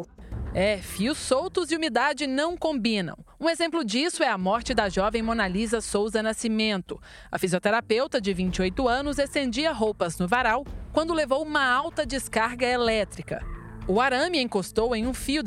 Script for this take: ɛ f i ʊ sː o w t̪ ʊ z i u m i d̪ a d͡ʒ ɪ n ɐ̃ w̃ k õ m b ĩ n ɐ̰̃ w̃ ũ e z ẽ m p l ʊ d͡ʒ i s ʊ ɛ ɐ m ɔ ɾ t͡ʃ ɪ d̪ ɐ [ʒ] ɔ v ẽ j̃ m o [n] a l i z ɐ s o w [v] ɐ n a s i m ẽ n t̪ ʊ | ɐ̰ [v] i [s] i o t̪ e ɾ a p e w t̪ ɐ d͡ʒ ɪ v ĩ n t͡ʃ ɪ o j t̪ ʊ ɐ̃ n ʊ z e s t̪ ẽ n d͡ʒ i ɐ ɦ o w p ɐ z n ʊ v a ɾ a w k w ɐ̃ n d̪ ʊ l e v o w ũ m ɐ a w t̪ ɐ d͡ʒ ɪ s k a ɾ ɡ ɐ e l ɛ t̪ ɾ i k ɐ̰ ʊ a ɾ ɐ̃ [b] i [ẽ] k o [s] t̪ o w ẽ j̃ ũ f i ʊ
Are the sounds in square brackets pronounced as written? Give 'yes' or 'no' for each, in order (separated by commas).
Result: yes, yes, no, no, no, no, yes, yes